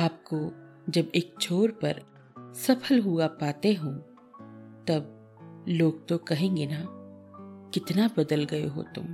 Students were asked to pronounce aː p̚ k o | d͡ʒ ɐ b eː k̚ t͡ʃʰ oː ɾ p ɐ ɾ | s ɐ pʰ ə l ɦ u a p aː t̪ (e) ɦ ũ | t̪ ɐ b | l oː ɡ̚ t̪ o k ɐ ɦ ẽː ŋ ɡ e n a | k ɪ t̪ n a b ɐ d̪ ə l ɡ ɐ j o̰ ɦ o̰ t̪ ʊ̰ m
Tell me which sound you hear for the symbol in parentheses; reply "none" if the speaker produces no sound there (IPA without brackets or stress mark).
e